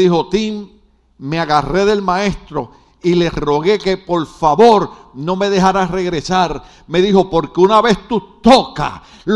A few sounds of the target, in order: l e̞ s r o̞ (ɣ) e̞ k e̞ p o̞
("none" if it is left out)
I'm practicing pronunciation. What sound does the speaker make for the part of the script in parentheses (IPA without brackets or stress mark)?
ɣ